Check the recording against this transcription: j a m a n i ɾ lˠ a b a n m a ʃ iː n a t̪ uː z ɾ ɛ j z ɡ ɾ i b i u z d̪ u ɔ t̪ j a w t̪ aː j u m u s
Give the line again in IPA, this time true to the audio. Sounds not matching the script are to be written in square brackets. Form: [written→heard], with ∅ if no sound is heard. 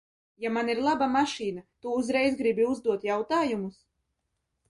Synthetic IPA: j a m a n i ɾ lˠ a b a [n→∅] m a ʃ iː n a t̪ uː z ɾ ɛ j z ɡ ɾ i b i u z d̪ u ɔ t̪ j a w t̪ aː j u m u s